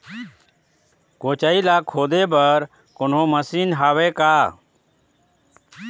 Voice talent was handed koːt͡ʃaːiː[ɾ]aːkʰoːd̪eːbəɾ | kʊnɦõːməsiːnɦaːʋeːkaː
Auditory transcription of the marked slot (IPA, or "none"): l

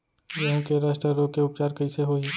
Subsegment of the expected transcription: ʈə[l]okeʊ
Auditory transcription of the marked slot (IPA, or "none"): ɾ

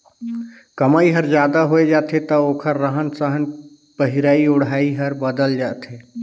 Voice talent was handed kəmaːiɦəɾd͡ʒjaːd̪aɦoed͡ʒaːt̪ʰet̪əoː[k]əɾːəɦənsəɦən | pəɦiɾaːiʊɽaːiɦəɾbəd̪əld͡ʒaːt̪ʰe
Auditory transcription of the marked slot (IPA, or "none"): kʰ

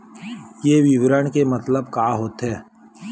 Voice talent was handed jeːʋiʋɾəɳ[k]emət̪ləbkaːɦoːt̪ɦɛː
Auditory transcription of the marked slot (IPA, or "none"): k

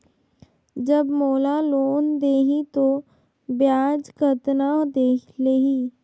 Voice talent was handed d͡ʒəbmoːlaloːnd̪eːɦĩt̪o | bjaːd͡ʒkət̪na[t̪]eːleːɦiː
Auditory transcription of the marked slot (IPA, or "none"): d̪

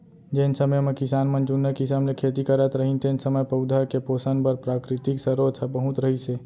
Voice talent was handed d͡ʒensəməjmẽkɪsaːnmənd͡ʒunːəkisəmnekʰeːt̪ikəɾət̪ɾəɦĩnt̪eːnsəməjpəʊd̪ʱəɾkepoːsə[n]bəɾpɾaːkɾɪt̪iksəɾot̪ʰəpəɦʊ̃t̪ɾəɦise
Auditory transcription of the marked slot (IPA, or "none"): n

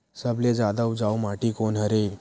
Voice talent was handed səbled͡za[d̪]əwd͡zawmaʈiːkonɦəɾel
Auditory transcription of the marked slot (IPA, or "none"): d̪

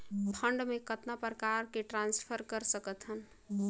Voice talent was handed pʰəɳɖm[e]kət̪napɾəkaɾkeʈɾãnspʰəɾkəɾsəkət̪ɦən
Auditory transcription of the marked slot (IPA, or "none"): e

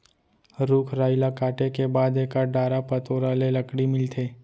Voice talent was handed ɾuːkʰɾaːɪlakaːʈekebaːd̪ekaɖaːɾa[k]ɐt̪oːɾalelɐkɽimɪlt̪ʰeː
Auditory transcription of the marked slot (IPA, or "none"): p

